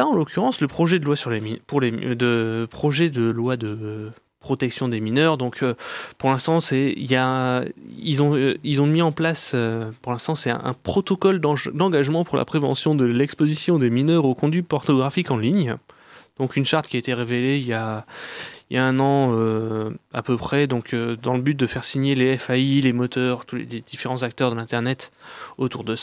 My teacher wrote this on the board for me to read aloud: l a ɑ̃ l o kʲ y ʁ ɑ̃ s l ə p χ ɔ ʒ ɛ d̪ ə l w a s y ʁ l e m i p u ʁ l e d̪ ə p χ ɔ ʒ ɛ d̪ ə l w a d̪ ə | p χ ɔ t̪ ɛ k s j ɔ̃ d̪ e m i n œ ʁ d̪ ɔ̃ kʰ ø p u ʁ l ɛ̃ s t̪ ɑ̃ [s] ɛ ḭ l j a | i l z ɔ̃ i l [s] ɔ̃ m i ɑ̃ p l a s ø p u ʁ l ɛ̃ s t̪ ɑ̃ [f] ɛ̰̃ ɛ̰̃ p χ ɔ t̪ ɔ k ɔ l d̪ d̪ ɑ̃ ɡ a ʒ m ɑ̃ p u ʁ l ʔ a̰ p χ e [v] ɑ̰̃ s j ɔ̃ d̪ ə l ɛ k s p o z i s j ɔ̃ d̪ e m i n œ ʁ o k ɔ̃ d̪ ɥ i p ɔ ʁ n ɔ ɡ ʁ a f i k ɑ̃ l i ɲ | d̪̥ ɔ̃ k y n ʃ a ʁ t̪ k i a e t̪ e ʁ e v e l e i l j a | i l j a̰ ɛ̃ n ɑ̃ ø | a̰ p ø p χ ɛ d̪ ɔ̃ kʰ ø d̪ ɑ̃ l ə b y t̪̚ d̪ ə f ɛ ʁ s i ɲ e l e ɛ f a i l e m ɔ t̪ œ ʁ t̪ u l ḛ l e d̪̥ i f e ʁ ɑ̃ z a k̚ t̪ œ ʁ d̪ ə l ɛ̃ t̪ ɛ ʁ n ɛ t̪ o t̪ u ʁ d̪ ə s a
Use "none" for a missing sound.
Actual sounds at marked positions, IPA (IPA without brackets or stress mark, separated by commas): s, z, s, v